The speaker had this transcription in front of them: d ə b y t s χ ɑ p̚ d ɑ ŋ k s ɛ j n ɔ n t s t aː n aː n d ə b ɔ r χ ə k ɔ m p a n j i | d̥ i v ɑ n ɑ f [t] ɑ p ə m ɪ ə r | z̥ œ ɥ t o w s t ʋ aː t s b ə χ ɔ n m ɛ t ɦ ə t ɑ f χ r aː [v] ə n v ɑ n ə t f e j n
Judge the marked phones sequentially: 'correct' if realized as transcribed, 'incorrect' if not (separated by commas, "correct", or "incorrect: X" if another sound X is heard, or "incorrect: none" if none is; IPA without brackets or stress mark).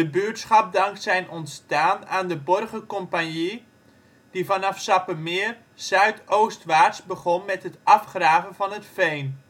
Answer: incorrect: s, correct